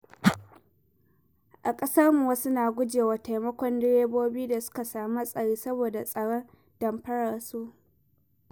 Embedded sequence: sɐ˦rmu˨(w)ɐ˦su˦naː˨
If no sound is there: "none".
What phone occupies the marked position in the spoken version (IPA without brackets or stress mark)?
w